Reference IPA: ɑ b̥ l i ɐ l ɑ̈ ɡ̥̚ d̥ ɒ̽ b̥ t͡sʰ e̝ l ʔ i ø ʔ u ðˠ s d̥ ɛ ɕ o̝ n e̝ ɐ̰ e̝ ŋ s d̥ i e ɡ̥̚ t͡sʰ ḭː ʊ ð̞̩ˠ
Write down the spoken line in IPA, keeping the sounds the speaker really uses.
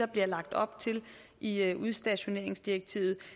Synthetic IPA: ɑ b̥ l i ɐ l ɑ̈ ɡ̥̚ d̥ ɒ̽ b̥ t͡sʰ e̝ l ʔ i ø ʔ u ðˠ s d̥ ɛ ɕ o̝ n e̝ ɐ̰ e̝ ŋ s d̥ i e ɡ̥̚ t͡sʰ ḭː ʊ ð̞̩ˠ